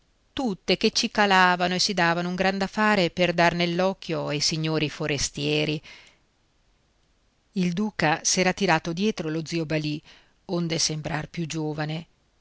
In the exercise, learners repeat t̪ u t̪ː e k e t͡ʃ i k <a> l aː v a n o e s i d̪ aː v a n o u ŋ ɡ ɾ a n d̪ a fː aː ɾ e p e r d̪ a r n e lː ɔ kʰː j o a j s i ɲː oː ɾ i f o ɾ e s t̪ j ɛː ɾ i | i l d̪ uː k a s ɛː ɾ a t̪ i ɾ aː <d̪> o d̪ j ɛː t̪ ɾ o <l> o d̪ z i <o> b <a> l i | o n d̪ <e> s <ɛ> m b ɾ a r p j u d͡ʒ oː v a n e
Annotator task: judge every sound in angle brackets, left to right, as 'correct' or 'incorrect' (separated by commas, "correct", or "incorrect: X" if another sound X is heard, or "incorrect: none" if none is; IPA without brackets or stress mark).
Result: correct, incorrect: t̪, correct, correct, correct, correct, incorrect: e